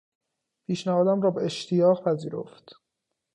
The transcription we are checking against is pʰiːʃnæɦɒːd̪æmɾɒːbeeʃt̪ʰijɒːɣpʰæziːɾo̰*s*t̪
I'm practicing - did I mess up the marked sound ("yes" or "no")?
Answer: yes